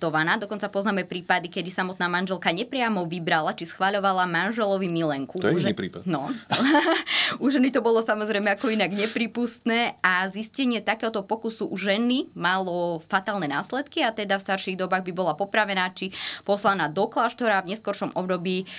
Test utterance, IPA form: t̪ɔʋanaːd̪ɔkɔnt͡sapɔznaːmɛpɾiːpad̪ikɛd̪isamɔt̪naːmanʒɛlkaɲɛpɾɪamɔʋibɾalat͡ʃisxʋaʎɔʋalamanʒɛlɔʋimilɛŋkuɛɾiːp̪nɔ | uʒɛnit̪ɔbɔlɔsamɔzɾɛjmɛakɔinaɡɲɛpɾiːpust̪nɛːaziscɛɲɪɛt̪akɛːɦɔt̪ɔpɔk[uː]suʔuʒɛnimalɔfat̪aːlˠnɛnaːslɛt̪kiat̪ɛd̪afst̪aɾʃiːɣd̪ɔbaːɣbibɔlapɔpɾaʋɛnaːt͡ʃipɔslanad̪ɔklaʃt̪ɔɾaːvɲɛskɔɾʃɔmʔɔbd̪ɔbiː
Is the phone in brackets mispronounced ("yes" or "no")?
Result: yes